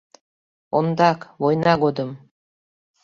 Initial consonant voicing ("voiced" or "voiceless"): voiced